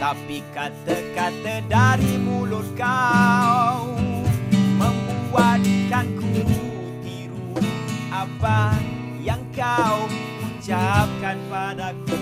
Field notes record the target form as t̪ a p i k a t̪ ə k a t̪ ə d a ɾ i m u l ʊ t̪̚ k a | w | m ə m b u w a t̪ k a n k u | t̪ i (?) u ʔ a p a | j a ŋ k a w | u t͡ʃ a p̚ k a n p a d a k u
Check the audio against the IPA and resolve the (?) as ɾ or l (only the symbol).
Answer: ɾ